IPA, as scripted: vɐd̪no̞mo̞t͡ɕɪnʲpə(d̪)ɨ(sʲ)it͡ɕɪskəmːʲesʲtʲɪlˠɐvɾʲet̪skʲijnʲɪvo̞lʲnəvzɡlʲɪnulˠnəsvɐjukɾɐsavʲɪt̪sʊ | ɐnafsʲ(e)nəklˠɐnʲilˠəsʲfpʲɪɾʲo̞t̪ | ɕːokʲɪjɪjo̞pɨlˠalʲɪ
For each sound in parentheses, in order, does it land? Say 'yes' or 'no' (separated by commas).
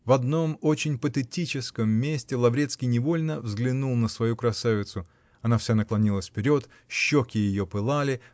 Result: no, no, no